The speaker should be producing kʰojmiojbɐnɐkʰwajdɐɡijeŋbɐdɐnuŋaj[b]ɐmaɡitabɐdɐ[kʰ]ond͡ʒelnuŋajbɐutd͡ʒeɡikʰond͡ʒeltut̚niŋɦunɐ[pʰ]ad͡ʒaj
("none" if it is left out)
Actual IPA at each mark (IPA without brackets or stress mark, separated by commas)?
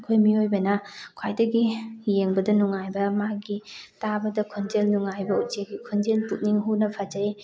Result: b, kʰ, pʰ